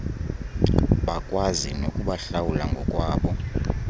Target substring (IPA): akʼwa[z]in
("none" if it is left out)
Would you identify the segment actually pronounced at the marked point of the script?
z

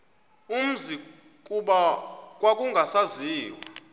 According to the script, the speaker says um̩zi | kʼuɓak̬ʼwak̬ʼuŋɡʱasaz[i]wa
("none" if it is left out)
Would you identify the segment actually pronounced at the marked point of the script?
iː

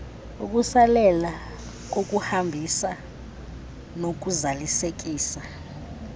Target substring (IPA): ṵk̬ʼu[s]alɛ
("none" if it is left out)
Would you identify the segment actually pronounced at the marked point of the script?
s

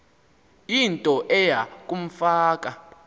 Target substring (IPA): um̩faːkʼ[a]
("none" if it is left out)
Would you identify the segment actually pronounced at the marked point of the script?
a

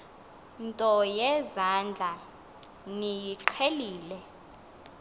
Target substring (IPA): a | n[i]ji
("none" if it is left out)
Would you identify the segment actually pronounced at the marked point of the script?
i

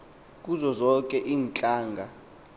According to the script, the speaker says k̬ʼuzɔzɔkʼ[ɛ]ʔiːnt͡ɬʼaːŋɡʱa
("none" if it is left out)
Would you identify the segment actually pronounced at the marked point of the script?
ɛ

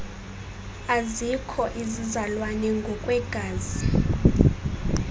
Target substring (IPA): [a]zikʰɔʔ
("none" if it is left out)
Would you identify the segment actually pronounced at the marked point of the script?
a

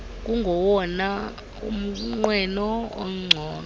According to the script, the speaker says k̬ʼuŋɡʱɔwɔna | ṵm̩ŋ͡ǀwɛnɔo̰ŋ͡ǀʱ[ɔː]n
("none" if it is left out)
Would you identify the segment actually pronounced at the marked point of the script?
ɔː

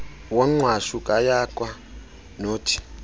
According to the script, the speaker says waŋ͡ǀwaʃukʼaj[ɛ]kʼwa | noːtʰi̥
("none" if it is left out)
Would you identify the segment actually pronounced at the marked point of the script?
a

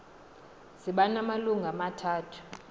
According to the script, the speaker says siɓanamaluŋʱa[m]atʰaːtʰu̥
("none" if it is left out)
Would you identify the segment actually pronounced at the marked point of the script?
m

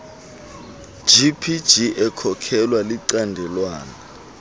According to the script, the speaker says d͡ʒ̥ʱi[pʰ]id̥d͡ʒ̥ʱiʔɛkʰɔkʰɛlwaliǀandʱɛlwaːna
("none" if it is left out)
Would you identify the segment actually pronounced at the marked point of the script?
pʰ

